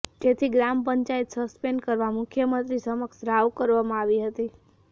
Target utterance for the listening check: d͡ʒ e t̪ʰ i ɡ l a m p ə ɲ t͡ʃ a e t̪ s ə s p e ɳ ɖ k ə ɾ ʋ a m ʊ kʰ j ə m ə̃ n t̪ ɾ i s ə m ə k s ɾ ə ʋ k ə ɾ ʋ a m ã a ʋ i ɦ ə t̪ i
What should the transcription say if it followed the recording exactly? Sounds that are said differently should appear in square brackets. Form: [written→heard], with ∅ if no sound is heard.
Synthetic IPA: d͡ʒ e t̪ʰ i ɡ [l→ɾ] a m p ə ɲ t͡ʃ a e t̪ s ə s p e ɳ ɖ k ə ɾ ʋ a m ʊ kʰ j ə m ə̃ n t̪ ɾ i s ə m ə k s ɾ [ə→a] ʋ k ə ɾ ʋ a m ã a ʋ i ɦ ə t̪ i